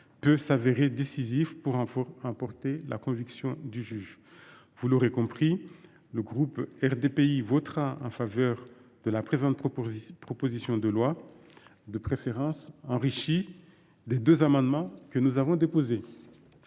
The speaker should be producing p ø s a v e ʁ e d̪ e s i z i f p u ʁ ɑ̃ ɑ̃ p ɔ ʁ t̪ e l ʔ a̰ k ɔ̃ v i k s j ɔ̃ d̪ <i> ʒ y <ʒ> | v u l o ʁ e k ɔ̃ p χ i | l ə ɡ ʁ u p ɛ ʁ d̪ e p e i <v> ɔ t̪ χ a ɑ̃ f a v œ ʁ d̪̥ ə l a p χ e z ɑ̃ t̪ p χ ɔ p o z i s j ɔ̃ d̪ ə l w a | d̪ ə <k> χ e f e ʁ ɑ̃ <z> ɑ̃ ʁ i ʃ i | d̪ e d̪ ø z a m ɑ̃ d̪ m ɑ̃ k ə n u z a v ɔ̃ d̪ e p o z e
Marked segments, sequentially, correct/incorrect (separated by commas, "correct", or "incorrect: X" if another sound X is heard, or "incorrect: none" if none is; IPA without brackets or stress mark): incorrect: y, correct, correct, incorrect: p, incorrect: s